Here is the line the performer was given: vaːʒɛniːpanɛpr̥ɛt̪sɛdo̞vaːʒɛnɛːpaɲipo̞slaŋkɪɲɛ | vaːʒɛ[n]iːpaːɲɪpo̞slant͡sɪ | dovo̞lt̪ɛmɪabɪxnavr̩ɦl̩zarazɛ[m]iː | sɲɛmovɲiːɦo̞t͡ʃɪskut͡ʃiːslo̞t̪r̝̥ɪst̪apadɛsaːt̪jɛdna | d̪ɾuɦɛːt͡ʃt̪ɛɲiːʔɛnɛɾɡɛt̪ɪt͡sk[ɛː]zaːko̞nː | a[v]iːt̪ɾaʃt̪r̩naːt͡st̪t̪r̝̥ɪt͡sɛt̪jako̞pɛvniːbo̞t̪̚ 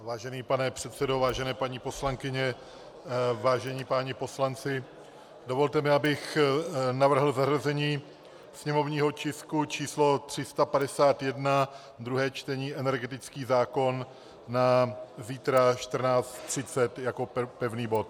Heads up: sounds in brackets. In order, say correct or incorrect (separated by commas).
incorrect, incorrect, incorrect, incorrect